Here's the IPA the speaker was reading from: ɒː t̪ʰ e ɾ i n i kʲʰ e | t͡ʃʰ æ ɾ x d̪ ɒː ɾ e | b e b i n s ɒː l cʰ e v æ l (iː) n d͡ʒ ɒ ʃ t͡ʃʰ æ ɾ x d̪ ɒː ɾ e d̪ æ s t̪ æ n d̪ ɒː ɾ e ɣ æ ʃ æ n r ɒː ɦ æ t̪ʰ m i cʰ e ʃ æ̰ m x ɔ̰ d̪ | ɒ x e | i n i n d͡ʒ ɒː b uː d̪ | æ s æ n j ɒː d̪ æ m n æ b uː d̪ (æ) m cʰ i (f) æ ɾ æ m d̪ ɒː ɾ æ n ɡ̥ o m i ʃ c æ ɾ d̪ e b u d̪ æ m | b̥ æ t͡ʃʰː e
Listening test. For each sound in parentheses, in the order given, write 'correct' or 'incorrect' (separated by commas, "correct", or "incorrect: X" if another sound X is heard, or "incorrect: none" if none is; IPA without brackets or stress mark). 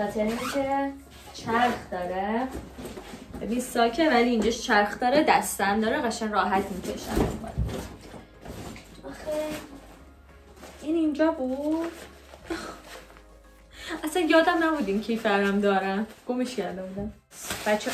correct, incorrect: i, correct